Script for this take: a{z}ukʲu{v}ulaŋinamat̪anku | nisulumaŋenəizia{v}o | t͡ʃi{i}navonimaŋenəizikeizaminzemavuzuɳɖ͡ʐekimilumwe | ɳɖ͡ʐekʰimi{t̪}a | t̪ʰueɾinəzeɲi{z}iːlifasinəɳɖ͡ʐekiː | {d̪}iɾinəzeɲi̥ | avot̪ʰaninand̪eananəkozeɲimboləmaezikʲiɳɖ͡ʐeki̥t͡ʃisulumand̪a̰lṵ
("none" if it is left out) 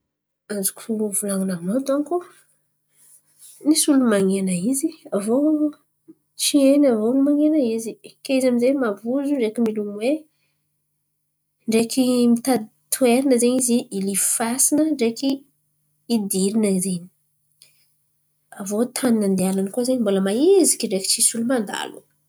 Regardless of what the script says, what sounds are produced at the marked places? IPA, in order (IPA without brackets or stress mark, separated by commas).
z, v, v, e, t̪, z, d̪